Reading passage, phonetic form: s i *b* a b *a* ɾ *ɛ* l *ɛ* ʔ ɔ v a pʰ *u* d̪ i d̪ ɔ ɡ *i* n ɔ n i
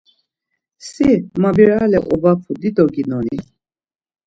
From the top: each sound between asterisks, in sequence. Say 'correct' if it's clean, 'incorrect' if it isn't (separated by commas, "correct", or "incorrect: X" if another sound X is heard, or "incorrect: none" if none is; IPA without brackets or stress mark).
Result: incorrect: m, incorrect: i, incorrect: a, correct, correct, correct